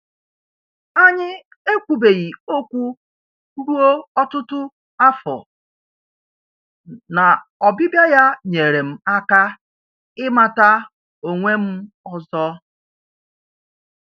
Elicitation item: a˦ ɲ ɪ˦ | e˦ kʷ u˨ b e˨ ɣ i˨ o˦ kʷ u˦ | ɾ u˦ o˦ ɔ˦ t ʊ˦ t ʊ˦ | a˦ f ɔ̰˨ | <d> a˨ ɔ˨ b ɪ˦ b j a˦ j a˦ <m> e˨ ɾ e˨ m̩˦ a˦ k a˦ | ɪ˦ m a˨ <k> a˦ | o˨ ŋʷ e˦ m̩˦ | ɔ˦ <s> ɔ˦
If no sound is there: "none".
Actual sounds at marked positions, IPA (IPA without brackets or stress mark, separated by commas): n, ɲ, t, z